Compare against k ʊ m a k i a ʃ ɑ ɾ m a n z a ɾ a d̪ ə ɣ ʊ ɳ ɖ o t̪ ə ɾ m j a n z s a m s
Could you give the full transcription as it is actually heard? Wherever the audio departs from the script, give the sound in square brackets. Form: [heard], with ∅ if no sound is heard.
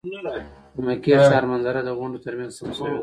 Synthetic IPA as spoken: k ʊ m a k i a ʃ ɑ ɾ m a n z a ɾ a d̪ ə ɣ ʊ ɳ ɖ o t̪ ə ɾ m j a n z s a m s